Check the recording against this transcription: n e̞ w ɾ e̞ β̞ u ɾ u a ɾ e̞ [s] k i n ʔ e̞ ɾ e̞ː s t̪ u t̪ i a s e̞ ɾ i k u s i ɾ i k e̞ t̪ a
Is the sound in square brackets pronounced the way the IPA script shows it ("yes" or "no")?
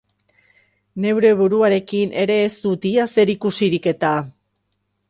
no